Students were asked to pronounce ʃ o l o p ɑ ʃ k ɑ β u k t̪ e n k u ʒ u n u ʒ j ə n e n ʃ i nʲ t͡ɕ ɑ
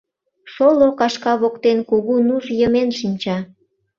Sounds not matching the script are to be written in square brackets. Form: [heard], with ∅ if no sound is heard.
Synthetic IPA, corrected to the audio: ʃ o l o [k] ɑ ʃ k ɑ β [o] k t̪ e n k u [ɣ] u n u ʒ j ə [m] e n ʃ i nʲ t͡ɕ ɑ